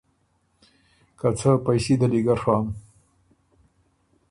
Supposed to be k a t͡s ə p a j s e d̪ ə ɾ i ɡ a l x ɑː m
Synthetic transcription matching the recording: k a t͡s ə p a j s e d̪ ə l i ɡ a ɾ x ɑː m